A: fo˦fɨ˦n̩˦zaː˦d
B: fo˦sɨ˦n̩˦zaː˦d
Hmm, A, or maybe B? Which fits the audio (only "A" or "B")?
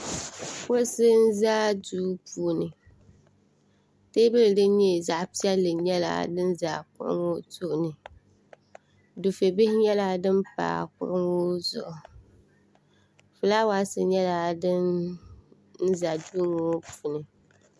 B